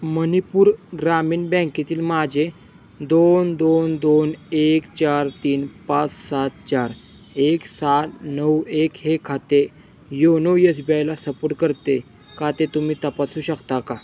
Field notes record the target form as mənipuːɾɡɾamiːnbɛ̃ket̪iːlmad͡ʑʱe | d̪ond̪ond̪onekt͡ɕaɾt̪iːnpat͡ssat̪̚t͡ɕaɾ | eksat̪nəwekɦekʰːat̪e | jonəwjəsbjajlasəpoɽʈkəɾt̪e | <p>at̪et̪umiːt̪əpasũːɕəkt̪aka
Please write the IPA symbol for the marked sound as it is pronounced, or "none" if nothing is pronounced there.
k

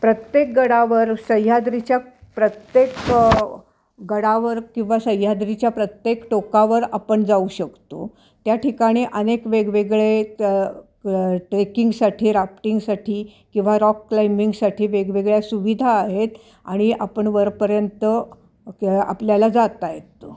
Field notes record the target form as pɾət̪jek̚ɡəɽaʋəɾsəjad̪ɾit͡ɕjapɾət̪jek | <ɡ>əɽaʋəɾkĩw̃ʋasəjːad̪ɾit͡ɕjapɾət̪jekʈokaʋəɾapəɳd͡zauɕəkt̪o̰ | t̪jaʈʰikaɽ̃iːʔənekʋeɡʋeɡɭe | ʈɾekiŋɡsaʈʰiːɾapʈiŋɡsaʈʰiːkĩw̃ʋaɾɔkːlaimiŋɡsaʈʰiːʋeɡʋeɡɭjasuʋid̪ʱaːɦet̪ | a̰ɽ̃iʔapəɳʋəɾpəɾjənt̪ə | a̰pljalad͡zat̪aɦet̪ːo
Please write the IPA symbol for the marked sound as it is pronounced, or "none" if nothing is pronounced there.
ɡ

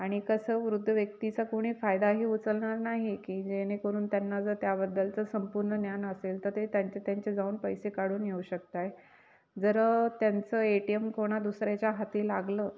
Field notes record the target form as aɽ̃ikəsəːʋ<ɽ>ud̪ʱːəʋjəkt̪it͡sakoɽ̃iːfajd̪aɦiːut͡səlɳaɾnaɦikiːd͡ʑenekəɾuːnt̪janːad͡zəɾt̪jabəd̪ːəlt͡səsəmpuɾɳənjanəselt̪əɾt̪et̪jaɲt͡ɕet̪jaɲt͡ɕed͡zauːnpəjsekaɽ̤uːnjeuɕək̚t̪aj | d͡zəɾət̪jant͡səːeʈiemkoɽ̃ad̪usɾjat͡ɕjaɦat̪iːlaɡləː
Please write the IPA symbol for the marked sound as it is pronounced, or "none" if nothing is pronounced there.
ɾ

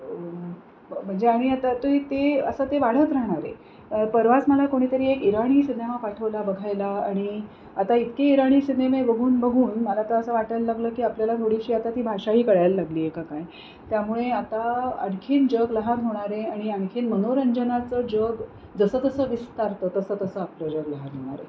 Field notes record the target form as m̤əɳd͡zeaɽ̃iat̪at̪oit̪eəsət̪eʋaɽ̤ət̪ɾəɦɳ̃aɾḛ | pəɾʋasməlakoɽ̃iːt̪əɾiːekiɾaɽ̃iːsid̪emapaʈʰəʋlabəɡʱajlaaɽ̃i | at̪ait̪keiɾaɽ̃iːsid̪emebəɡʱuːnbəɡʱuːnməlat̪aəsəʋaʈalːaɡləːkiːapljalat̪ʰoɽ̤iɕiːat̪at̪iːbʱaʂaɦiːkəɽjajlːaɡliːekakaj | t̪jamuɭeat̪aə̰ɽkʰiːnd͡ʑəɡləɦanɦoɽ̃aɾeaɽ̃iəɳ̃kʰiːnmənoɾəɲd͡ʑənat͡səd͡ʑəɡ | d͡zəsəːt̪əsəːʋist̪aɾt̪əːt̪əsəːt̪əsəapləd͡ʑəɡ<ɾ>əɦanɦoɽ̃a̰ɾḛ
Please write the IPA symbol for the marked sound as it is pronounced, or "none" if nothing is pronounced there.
l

